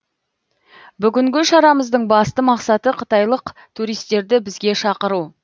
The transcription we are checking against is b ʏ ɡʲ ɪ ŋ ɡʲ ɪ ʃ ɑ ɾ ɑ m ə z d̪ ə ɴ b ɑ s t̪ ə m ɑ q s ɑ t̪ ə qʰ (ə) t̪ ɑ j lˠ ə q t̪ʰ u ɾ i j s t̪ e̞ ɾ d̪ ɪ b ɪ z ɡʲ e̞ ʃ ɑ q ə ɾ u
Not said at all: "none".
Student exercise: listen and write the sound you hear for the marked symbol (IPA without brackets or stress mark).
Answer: ə